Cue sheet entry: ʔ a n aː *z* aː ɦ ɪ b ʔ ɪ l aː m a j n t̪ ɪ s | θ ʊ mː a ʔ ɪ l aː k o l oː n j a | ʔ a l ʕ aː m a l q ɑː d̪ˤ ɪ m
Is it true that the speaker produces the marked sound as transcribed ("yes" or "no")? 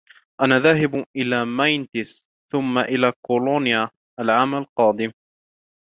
no